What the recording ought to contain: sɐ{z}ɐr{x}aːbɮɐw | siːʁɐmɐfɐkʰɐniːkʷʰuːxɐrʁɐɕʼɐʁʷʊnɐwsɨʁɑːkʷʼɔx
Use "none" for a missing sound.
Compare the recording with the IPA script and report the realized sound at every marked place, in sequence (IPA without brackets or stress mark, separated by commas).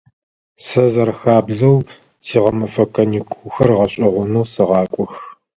z, x